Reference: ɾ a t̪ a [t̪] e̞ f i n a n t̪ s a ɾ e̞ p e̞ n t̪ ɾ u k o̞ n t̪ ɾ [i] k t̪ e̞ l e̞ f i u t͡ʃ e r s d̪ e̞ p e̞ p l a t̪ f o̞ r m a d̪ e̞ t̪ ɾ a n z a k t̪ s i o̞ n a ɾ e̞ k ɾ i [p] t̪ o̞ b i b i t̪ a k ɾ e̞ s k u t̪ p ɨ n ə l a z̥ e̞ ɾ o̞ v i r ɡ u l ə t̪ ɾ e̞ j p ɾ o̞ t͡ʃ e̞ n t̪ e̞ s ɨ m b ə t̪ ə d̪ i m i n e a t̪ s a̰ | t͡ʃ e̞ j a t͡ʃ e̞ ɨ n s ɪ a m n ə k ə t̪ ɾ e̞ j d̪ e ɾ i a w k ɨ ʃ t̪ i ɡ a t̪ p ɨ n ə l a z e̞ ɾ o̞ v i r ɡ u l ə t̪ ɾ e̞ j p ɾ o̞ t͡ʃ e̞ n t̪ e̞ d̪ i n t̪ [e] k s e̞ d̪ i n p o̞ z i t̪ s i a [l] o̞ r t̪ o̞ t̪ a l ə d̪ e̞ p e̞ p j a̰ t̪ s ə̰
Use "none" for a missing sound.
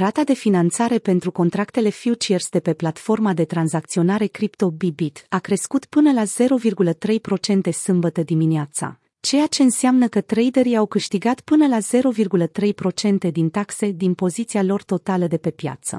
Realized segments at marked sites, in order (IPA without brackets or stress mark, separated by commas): d̪, a, p, a, l